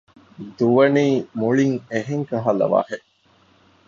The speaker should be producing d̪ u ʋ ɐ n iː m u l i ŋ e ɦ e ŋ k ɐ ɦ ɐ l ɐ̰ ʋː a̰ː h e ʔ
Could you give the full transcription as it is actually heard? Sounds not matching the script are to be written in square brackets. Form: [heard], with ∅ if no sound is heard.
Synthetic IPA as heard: d̪ u ʋ ɐ n iː m u [ɭ] i ŋ e ɦ e ŋ k ɐ ɦ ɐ l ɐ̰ [ʋ] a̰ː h e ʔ